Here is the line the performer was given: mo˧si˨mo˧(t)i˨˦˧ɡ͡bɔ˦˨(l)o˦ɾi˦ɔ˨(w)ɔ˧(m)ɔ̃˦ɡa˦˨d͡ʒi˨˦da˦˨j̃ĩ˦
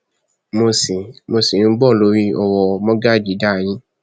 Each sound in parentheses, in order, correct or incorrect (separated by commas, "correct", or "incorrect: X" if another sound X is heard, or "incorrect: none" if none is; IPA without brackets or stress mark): incorrect: s, correct, correct, correct